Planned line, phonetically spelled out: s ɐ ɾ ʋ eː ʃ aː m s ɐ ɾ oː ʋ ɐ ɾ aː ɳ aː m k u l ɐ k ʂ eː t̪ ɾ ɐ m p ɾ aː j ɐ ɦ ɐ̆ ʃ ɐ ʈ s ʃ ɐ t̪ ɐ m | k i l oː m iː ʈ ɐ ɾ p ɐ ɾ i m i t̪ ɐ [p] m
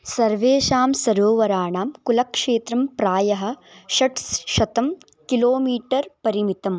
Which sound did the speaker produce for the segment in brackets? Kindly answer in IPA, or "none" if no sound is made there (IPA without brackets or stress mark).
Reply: none